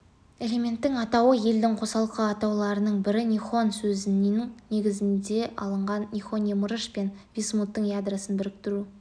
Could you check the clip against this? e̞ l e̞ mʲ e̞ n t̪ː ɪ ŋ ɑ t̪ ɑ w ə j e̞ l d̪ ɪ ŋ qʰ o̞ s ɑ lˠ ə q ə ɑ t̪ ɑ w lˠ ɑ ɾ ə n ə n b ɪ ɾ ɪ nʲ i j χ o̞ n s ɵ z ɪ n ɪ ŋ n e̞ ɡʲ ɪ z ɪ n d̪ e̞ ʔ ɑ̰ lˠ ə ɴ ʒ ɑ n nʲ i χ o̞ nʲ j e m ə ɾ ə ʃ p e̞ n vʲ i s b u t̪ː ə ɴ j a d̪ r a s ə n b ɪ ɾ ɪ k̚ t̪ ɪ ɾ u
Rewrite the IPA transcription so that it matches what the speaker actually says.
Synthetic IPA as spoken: e̞ l e̞ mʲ e̞ n t̪ː ɪ ŋ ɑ t̪ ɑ w ə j e̞ l d̪ ɪ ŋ qʰ o̞ s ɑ lˠ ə q ə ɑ t̪ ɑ w lˠ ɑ ɾ ə n ə ɴ b ɪ ɾ ɪ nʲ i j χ o̞ n s ɵ z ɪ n ɪ ŋ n e̞ ɡʲ ɪ z ɪ n d̪ e̞ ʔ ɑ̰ lˠ ə ɴ ʁ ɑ n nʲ i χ o̞ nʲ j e m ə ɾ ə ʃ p e̞ n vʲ i s m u t̪ː ə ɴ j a d̪ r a s ə n b ɪ ɾ ɪ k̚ t̪ ɪ ɾ u